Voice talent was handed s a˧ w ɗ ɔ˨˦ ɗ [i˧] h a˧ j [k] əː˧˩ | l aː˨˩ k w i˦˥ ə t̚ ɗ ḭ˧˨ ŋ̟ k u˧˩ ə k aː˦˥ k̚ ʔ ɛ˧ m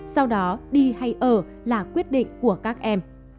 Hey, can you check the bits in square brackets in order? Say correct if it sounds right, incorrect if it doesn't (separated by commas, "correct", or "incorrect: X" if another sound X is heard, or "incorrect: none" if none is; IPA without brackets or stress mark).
correct, incorrect: ʔ